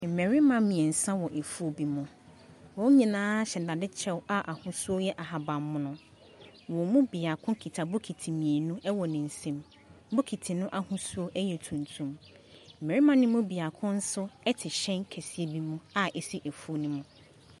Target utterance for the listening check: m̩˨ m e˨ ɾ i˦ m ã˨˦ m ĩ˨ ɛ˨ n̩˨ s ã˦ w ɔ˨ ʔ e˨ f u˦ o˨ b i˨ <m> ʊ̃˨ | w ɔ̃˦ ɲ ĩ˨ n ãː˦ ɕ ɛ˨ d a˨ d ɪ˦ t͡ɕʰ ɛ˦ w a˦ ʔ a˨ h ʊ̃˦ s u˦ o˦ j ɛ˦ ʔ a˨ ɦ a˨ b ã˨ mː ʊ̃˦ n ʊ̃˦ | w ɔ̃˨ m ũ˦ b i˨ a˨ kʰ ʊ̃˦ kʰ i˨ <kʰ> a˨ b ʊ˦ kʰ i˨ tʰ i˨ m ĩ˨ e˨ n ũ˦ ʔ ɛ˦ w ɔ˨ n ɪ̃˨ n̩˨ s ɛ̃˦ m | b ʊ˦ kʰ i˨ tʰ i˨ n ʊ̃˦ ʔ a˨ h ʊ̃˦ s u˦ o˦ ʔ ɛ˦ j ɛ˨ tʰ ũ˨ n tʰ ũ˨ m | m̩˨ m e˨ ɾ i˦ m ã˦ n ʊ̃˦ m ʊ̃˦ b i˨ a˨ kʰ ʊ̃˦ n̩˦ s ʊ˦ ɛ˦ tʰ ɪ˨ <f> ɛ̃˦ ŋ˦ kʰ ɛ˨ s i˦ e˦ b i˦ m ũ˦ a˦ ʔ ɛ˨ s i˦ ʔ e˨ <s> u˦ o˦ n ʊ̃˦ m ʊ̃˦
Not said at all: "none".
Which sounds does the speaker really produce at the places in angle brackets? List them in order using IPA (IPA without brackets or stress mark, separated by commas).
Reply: m, tʰ, ɕ, f